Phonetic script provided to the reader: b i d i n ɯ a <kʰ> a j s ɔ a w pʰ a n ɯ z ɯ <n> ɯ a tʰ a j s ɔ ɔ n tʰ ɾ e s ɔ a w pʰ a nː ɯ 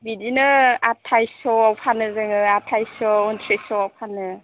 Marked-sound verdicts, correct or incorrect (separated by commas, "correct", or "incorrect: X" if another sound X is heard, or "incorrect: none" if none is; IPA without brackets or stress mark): incorrect: tʰ, incorrect: ŋ